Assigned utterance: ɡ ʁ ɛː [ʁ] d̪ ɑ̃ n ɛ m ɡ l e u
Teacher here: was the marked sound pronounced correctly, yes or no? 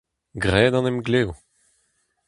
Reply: no